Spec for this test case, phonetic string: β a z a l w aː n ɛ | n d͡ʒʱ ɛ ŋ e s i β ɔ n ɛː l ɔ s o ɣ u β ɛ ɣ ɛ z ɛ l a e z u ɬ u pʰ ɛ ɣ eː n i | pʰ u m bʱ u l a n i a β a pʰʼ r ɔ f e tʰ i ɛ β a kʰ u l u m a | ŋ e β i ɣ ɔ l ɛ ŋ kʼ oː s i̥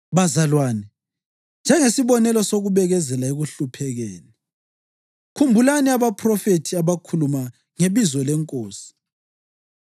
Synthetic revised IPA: β a z a l w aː n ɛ | n d͡ʒʱ ɛ ŋ e s i β ɔ n ɛ l ɔ s o ɣ u β ɛ ɣ ɛ z ɛ l a e ɣ u ɬ u pʰ ɛ ɣ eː n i | kʰ u m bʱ u l a n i a β a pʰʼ r ɔ f e tʰ i a β a kʰ u l u m a | ŋ e β i z ɔ l ɛ ŋ kʼ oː s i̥